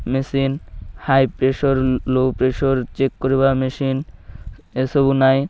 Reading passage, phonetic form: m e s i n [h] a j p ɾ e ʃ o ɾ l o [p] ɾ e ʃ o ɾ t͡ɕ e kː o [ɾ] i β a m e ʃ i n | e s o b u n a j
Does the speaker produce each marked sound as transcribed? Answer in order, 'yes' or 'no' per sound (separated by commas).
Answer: yes, yes, yes